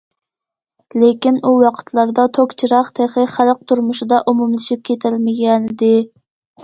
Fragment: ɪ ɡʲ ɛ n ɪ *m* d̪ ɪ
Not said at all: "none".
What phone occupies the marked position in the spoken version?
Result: none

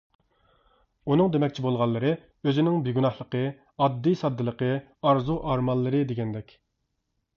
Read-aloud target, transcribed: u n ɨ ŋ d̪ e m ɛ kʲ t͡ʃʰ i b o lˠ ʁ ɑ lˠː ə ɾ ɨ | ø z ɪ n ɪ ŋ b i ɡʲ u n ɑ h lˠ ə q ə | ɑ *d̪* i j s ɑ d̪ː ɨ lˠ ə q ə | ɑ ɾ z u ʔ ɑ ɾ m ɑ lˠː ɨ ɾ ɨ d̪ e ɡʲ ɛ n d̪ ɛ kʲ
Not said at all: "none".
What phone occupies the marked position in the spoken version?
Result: d̪ː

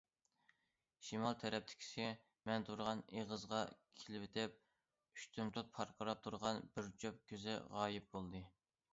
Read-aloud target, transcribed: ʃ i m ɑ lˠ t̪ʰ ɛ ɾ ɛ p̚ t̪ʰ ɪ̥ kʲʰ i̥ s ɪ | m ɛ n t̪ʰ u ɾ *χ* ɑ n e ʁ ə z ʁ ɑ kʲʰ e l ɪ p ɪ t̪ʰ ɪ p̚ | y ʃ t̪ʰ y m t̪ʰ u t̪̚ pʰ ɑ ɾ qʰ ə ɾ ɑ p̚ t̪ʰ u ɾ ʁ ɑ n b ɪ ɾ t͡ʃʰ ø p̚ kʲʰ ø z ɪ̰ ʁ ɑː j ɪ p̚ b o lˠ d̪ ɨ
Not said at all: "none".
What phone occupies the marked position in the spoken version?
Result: ʁ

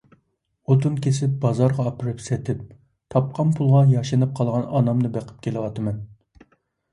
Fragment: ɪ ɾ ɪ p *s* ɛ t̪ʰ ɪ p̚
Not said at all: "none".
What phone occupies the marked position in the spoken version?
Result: s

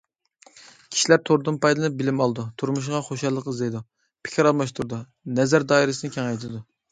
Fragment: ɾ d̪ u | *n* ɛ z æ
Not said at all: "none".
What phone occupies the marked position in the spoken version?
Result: n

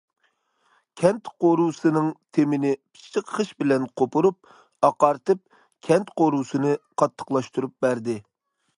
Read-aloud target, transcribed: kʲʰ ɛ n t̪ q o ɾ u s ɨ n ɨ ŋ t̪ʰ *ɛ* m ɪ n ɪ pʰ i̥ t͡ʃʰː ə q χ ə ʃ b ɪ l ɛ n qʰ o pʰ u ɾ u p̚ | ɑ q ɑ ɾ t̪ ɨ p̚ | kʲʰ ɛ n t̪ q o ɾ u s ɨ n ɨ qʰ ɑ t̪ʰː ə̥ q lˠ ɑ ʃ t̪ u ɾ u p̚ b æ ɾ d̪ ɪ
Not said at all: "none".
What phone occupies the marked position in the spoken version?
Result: e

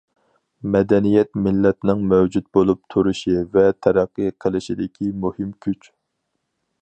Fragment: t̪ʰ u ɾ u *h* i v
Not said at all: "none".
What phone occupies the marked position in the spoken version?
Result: ʃ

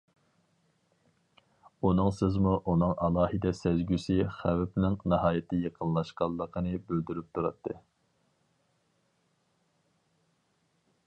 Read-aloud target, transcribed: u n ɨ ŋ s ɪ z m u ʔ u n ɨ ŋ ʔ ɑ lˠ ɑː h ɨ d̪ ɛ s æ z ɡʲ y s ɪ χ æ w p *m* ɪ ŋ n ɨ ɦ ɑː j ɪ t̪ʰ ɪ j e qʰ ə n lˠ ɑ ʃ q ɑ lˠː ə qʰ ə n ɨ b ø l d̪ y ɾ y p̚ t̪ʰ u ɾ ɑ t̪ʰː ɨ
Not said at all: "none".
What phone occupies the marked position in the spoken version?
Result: n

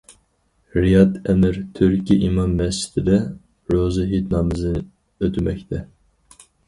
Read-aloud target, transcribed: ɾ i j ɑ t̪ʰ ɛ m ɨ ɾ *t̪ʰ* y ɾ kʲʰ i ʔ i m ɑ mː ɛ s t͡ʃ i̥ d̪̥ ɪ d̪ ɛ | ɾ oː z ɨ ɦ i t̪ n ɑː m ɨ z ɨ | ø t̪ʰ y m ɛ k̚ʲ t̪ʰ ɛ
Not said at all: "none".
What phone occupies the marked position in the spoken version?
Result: t̪ʰ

